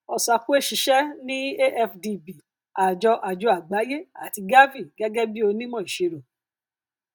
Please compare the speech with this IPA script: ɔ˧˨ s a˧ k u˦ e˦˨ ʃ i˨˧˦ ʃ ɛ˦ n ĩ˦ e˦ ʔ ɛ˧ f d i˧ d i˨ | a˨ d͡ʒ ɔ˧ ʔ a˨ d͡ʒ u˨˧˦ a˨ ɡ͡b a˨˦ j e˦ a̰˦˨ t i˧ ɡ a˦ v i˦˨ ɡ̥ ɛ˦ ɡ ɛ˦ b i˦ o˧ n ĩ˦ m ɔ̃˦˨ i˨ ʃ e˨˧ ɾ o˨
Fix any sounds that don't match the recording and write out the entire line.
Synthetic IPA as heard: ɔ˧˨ s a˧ k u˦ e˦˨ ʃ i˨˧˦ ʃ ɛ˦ n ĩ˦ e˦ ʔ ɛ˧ f d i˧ b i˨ | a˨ d͡ʒ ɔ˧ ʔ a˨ d͡ʒ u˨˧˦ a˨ ɡ͡b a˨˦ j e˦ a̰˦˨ t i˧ ɡ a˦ v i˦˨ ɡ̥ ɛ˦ ɡ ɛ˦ b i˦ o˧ n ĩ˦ m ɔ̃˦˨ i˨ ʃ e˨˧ ɾ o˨